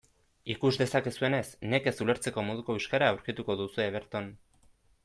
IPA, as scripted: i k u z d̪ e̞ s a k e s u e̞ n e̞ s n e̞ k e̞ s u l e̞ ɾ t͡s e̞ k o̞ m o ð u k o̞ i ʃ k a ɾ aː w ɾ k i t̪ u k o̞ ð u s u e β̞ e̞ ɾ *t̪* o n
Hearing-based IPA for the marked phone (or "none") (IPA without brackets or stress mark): t̪